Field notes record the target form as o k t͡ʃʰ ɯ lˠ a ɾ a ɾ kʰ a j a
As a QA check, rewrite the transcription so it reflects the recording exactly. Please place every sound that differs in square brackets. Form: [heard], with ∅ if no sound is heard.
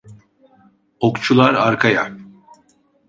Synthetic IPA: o k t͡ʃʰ [u] lˠ a ɾ a ɾ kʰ a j a